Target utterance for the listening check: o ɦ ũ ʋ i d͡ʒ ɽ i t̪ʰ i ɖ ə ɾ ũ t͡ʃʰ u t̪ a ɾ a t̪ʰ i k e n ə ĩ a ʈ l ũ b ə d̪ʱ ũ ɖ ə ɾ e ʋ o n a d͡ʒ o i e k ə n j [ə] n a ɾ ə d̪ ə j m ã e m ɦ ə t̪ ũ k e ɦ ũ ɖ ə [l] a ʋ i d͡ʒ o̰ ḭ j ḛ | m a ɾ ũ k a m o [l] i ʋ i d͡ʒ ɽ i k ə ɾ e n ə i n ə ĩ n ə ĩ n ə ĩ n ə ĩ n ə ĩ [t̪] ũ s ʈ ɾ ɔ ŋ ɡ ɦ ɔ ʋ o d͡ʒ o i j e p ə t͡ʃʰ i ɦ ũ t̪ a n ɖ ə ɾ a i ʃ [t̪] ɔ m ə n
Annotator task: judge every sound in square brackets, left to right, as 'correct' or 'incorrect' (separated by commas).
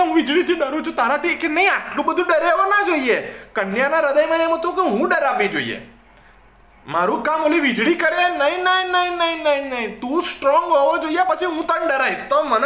incorrect, incorrect, correct, correct, correct